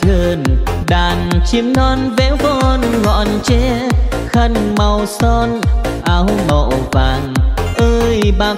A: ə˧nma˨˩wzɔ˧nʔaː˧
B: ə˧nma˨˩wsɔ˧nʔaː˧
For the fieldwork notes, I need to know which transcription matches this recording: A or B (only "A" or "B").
B